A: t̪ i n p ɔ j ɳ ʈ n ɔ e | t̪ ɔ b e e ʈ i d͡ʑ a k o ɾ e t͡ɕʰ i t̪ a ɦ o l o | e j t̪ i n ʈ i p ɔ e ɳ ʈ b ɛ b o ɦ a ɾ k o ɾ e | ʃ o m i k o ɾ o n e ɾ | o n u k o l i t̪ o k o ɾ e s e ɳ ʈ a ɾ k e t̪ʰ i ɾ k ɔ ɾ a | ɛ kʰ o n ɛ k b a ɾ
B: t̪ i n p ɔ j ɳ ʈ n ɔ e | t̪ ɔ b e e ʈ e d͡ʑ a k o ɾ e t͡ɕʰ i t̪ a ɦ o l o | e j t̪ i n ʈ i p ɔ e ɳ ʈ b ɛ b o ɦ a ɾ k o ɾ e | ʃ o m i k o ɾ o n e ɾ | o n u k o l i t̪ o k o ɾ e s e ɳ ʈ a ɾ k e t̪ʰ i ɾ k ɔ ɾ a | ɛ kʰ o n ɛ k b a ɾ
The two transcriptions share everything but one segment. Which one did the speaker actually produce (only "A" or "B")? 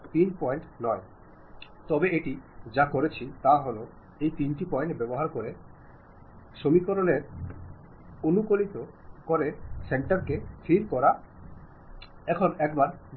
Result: A